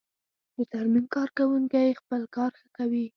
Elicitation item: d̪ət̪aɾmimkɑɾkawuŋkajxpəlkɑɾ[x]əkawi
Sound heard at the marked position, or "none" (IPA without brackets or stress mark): x